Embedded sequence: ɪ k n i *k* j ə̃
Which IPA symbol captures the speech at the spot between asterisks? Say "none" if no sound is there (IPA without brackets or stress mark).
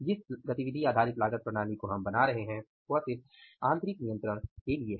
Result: none